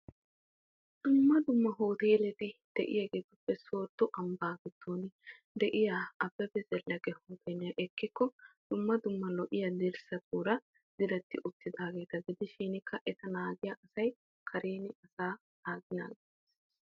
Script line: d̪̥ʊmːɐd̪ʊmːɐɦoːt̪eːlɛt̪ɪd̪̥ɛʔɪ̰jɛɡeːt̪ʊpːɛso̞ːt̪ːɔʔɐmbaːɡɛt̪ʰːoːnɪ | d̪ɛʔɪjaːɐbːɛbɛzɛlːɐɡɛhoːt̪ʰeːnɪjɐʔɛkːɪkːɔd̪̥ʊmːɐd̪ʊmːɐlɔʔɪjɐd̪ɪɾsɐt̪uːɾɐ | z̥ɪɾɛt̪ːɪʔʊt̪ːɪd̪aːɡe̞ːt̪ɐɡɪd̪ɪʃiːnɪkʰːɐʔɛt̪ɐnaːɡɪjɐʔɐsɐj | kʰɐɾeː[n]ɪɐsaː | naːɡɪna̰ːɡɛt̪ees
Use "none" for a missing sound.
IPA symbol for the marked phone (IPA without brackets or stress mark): n